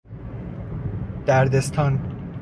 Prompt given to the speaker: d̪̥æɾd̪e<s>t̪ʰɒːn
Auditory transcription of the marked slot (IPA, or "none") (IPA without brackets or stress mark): s